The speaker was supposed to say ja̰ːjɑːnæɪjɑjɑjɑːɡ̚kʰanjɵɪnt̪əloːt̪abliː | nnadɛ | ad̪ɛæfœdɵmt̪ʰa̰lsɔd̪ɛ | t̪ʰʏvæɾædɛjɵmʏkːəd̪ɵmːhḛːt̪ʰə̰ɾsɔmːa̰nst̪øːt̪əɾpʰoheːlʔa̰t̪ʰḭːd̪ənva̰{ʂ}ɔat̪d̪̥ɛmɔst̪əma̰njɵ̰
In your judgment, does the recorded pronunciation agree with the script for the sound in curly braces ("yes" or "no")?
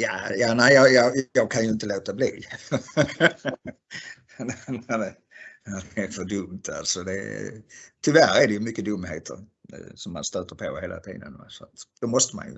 no